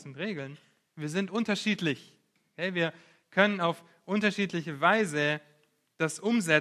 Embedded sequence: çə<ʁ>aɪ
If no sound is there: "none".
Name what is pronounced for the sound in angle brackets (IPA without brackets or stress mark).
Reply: v